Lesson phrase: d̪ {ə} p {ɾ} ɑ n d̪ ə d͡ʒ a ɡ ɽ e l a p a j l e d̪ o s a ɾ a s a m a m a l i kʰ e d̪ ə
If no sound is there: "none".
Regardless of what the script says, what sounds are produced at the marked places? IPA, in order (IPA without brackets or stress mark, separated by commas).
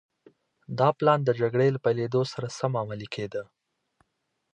ɑ, l